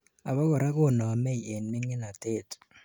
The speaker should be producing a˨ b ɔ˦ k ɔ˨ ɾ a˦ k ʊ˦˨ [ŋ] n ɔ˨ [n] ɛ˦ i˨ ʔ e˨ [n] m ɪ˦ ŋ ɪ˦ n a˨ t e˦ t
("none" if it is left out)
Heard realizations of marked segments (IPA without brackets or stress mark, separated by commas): none, m, n